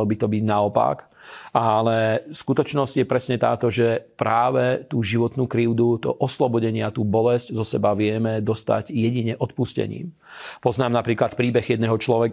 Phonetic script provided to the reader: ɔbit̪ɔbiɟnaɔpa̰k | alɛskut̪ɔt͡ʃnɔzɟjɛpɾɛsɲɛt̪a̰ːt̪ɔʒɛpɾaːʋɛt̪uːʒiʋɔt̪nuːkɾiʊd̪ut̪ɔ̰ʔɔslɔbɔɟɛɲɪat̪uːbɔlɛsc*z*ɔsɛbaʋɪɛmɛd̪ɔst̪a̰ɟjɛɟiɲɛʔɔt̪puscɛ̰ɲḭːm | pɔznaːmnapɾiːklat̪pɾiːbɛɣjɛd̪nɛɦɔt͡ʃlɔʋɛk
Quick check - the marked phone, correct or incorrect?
correct